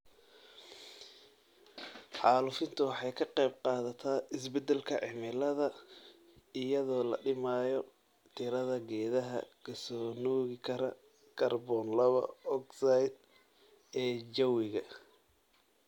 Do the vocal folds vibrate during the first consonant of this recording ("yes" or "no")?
no